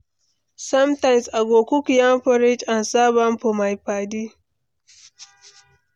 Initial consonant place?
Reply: alveolar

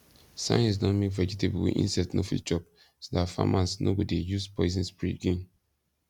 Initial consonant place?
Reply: alveolar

